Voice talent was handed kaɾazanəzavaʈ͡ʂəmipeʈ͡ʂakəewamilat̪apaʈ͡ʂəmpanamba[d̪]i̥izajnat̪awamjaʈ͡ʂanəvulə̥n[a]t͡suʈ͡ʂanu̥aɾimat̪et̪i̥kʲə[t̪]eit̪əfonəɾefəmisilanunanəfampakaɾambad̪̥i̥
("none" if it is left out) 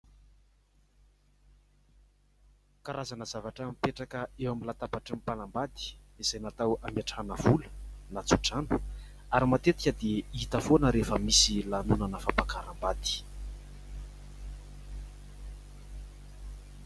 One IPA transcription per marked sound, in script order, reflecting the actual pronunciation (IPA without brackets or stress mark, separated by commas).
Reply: d̪, a, d̪